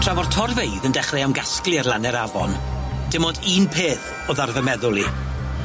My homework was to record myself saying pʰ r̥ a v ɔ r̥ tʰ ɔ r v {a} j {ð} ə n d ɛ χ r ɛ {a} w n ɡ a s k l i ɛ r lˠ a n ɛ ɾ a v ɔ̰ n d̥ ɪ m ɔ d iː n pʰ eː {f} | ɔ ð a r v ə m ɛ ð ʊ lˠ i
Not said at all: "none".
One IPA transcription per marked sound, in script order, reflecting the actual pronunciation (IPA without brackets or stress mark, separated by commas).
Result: e, ð, a, θ